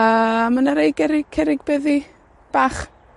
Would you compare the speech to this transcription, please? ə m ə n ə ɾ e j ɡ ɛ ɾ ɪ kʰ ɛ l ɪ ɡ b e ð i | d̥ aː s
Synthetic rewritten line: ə m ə n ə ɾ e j ɡ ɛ ɾ ɪ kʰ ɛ ɾ ɪ ɡ b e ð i | b̥ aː χ